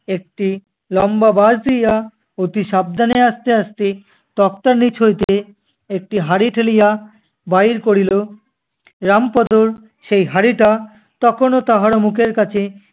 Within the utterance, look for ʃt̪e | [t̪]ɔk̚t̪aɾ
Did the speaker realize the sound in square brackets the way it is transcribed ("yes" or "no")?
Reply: yes